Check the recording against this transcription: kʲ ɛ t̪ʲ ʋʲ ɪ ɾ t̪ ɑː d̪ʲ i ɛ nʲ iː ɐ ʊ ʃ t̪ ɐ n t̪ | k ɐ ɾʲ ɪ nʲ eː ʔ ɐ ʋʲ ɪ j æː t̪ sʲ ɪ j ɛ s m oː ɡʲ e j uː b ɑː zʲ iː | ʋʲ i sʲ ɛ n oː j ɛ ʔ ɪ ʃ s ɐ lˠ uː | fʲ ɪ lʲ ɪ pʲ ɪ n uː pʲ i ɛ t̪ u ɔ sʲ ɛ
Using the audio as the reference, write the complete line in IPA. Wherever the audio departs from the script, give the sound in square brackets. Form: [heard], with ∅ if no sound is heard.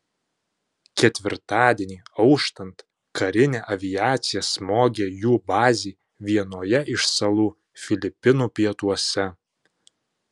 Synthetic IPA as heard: kʲ ɛ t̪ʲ ʋʲ ɪ ɾ t̪ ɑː d̪ʲ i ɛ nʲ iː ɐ ʊ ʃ t̪ ɐ n t̪ | k ɐ ɾʲ ɪ nʲ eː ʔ ɐ ʋʲ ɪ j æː t̪ sʲ ɪ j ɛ s m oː ɡʲ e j uː b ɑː zʲ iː | ʋʲ i [∅] ɛ n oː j ɛ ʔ ɪ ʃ s ɐ lˠ uː | fʲ ɪ lʲ ɪ pʲ ɪ n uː pʲ i ɛ t̪ u ɔ sʲ ɛ

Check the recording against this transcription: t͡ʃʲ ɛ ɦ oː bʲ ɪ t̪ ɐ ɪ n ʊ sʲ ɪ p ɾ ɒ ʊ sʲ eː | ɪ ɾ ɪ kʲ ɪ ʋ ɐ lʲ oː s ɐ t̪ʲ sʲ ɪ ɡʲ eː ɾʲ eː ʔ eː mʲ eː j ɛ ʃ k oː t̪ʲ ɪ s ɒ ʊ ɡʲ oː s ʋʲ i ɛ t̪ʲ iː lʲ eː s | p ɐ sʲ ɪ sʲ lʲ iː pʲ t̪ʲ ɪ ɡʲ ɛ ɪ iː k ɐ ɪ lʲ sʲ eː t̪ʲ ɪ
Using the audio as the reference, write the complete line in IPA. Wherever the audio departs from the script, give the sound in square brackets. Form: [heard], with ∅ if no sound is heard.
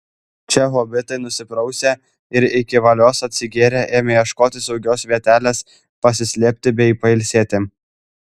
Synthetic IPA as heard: t͡ʃʲ ɛ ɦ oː bʲ ɪ t̪ ɐ ɪ n ʊ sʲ ɪ p ɾ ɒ ʊ sʲ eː | ɪ ɾ ɪ kʲ ɪ ʋ ɐ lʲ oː s ɐ t̪ʲ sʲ ɪ ɡʲ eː ɾʲ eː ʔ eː mʲ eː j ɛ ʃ k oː t̪ʲ ɪ s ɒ ʊ ɡʲ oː s ʋʲ i ɛ t̪ʲ [æː] lʲ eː s | p ɐ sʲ ɪ sʲ lʲ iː pʲ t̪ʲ ɪ [bʲ] ɛ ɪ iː [p] ɐ ɪ lʲ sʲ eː t̪ʲ ɪ

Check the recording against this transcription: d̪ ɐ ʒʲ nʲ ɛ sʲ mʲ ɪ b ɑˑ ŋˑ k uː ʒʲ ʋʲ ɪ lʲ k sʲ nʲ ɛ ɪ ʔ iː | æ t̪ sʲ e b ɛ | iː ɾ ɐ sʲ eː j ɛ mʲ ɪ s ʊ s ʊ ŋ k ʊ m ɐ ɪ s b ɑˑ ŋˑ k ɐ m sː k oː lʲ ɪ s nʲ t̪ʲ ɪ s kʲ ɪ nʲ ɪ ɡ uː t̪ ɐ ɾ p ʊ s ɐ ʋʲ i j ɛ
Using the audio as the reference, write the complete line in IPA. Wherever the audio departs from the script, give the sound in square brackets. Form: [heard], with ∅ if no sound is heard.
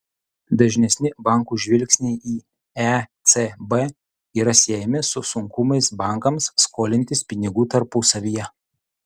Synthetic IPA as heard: d̪ ɐ ʒʲ nʲ ɛ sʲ [nʲ] ɪ b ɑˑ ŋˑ k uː ʒʲ ʋʲ ɪ lʲ k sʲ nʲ ɛ ɪ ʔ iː | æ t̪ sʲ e b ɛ | iː ɾ ɐ sʲ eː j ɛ mʲ ɪ s ʊ s ʊ ŋ k ʊ m ɐ ɪ s b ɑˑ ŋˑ k ɐ m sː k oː lʲ ɪ [∅] nʲ t̪ʲ ɪ s [pʲ] ɪ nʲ ɪ ɡ uː t̪ ɐ ɾ p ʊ s ɐ ʋʲ i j ɛ

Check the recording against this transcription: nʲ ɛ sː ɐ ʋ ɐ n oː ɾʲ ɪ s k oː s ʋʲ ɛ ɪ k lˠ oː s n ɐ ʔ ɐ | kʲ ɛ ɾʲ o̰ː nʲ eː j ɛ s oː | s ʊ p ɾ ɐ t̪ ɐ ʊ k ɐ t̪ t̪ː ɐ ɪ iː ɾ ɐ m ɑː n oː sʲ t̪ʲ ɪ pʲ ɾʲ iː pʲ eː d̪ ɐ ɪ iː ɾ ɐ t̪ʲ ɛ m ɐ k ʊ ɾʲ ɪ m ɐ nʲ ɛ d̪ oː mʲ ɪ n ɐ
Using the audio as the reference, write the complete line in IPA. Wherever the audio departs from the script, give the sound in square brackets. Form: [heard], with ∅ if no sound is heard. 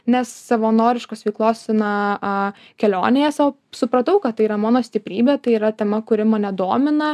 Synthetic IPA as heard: nʲ ɛ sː ɐ ʋ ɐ n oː ɾʲ ɪ [ʃ] k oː s ʋʲ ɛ ɪ k lˠ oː s n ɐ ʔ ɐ | kʲ ɛ [lʲ] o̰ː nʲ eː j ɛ s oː | s ʊ p ɾ ɐ t̪ ɐ ʊ k ɐ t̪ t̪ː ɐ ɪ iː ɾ ɐ m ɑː n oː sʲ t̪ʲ ɪ pʲ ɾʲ iː [bʲ] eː [t̪] ɐ ɪ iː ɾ ɐ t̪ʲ ɛ m ɐ k ʊ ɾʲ ɪ m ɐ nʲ ɛ d̪ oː mʲ ɪ n ɐ

